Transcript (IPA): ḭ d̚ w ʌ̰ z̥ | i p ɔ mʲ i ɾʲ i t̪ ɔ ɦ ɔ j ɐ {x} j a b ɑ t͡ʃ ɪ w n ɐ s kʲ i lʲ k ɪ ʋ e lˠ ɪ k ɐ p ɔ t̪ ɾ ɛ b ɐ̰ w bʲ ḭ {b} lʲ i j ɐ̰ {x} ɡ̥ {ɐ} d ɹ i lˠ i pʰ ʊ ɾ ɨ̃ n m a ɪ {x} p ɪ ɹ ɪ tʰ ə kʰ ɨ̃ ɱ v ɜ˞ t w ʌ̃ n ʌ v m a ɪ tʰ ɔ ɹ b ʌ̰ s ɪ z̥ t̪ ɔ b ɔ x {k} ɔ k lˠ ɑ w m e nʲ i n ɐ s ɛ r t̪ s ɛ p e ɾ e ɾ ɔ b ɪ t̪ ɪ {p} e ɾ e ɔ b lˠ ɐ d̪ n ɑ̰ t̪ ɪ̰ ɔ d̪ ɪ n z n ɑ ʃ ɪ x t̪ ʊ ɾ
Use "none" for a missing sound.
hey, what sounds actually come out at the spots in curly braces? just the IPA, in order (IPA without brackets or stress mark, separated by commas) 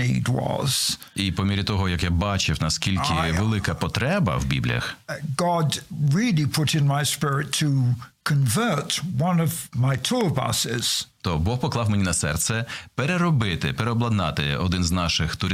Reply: k, b, x, ɑ, s, p, p